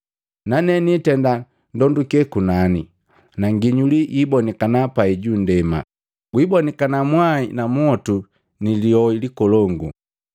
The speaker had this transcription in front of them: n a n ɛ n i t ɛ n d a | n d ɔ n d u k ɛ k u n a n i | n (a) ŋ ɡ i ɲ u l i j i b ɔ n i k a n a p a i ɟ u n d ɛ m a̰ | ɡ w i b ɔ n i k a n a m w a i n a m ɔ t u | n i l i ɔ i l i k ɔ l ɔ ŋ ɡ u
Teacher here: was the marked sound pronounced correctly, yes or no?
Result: yes